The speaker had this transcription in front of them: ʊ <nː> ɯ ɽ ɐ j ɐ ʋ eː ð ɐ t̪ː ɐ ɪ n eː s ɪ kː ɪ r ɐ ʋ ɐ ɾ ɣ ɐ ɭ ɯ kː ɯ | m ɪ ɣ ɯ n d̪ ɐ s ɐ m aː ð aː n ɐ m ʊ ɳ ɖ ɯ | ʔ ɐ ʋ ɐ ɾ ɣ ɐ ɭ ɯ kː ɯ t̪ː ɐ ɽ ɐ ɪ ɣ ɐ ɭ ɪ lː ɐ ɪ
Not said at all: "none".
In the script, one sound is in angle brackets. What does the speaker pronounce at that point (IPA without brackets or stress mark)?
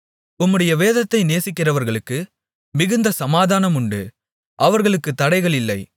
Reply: mː